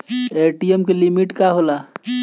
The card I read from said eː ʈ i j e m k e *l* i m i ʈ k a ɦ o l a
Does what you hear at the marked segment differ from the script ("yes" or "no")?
no